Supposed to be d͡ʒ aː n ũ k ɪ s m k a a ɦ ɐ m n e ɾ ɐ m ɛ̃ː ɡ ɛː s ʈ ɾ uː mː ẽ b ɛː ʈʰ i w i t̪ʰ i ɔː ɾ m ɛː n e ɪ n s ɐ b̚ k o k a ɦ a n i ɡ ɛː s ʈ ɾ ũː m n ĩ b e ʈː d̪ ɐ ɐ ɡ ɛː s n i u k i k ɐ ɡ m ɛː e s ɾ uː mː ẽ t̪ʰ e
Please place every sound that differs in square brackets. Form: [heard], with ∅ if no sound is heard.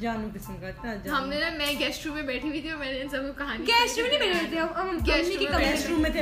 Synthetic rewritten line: d͡ʒ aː n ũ k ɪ s m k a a ɦ ɐ m n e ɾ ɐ m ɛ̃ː ɡ ɛː s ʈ ɾ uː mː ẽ b ɛː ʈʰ i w i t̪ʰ i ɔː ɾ m ɛː n e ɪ n s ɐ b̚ k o k [ɐ] ɦ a n i ɡ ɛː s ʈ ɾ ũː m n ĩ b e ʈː [t̪] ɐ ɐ ɡ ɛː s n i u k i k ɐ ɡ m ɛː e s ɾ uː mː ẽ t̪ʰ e